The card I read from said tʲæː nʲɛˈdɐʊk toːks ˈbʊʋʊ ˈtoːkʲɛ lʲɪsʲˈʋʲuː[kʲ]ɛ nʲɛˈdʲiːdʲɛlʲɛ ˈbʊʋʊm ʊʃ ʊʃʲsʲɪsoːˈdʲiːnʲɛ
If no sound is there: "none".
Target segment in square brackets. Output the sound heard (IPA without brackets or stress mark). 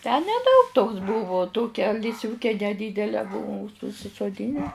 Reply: kʲ